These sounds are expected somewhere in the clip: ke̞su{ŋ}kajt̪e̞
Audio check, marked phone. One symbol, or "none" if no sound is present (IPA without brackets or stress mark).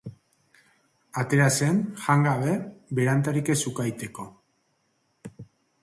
none